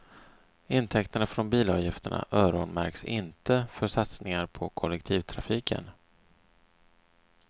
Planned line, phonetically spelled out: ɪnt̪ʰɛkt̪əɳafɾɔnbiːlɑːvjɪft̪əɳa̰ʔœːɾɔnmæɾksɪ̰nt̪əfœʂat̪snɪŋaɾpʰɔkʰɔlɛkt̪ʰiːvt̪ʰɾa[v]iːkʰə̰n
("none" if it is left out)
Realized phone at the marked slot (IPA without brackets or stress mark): f